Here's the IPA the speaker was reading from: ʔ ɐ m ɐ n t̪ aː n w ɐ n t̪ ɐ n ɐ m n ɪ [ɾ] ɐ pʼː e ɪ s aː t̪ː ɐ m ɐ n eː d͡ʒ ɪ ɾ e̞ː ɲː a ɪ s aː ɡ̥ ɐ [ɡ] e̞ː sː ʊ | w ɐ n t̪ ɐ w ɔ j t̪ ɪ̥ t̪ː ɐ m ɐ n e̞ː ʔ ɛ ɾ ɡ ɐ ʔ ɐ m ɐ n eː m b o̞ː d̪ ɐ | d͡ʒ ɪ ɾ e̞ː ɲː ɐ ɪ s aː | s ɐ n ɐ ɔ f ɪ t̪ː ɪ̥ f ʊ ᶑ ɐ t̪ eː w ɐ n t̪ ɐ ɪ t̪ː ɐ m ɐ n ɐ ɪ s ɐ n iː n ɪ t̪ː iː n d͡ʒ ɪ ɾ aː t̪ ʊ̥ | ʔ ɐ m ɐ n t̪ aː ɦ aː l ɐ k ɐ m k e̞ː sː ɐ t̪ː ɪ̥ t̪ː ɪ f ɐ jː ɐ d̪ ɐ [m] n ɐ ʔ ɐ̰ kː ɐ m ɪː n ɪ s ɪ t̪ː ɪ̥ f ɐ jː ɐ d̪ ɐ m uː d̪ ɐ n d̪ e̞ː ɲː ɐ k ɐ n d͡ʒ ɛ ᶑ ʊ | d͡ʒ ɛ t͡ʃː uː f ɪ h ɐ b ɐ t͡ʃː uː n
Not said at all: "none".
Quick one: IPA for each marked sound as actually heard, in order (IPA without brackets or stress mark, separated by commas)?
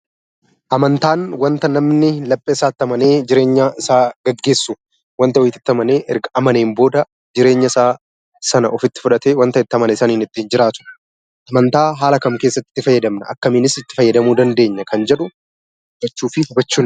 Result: l, ɡː, m